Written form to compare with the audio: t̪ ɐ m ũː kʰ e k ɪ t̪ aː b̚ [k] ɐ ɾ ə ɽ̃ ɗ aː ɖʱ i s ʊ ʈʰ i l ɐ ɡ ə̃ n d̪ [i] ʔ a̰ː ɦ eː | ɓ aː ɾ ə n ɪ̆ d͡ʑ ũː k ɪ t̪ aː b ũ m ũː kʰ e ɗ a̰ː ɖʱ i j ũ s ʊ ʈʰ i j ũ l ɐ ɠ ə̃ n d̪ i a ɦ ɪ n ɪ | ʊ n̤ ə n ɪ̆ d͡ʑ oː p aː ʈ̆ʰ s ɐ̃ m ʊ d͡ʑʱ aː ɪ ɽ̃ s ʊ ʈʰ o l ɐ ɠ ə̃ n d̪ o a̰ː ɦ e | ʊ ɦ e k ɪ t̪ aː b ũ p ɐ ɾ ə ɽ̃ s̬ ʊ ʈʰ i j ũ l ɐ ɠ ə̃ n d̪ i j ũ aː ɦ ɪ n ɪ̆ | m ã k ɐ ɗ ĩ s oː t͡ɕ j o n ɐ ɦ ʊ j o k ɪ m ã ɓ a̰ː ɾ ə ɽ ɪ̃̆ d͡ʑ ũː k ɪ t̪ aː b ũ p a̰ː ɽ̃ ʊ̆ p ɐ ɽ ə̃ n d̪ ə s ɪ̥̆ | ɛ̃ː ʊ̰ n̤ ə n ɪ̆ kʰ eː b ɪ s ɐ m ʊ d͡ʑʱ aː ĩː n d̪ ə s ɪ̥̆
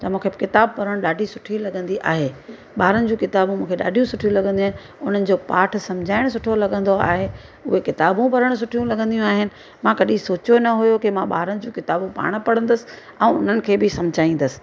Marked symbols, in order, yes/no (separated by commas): no, yes